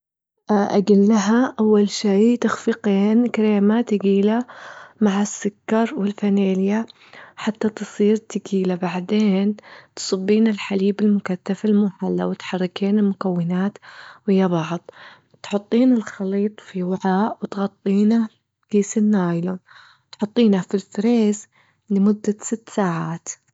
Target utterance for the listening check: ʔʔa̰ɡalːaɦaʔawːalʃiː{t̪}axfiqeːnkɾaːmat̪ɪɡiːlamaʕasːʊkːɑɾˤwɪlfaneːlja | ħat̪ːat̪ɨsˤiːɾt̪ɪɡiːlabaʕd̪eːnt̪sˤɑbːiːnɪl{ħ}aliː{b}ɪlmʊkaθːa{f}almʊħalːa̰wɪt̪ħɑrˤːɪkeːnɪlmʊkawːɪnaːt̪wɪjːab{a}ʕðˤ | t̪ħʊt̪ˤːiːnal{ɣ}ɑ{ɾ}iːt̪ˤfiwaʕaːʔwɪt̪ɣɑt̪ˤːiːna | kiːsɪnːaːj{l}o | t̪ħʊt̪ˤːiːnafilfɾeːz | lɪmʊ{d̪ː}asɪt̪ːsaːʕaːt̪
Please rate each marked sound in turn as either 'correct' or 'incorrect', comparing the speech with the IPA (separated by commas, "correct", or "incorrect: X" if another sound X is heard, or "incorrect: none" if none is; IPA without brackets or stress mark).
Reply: correct, correct, correct, correct, incorrect: ɑ, incorrect: x, incorrect: l, correct, correct